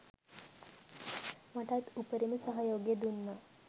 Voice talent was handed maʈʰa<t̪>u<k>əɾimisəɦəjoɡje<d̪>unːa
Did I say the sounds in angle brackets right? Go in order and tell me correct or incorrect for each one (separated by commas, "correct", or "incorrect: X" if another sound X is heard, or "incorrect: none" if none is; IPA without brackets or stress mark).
correct, incorrect: p, correct